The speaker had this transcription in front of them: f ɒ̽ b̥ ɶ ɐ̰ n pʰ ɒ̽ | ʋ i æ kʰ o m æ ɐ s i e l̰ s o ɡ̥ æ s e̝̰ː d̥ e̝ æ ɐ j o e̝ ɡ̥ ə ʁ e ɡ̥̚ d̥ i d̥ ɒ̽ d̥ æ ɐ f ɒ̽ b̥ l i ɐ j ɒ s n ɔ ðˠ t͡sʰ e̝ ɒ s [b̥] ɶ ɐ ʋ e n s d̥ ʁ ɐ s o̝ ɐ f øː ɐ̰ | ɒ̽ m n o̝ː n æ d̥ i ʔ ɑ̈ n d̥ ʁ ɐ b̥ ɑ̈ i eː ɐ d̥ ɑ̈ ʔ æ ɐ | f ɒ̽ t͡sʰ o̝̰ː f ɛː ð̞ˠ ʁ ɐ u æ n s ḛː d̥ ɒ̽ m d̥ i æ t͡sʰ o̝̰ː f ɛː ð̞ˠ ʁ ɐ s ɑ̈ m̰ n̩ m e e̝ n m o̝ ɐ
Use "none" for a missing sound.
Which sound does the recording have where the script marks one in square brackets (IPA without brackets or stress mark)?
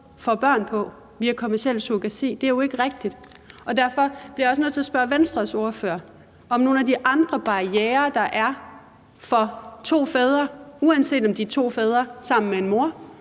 b̥